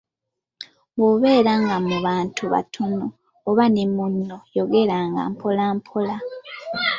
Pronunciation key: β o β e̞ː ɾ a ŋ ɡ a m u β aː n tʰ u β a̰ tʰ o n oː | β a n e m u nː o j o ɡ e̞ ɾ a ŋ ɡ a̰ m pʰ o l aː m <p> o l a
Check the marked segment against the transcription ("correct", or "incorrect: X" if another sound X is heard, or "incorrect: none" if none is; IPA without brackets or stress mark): incorrect: pʰ